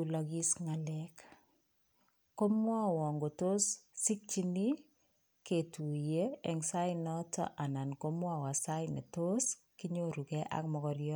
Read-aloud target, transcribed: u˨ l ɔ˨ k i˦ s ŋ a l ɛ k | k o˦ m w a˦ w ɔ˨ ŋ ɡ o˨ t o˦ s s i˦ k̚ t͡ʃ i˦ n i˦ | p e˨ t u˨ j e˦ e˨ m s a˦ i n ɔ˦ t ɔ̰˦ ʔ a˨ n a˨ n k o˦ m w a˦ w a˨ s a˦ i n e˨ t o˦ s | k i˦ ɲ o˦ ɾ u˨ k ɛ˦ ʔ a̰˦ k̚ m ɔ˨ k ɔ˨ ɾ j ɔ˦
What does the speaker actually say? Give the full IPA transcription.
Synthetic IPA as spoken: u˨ l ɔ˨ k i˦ s ŋ a l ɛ k | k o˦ m w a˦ w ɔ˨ ŋ ɡ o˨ t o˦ s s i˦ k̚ t͡ʃ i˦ n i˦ | k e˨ t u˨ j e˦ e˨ ŋ s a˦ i n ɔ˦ t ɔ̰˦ ʔ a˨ n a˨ n k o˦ m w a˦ w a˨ s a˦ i n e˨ t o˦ s | k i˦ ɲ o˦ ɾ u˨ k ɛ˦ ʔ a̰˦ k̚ m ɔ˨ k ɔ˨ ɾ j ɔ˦